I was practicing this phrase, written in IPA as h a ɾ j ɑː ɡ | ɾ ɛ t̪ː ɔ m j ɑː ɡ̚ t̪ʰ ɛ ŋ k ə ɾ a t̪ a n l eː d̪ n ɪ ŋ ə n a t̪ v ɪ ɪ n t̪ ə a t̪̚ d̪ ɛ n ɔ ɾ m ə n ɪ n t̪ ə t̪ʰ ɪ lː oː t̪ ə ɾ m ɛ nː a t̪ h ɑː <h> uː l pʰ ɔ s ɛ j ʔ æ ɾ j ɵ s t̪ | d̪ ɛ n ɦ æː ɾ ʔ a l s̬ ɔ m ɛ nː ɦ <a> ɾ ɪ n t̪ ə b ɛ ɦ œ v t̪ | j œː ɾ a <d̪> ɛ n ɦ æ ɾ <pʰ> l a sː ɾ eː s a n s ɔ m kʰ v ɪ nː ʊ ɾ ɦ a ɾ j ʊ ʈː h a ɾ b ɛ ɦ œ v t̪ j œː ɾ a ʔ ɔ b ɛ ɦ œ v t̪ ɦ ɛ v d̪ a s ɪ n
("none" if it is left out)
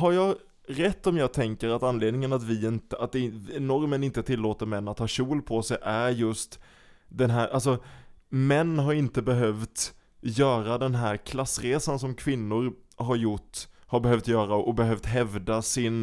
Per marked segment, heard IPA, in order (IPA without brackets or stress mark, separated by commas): ɕ, a, d̪, kʰ